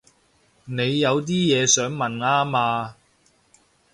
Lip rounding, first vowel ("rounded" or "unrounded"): unrounded